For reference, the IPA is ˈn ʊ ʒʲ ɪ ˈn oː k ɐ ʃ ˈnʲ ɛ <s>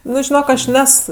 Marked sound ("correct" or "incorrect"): correct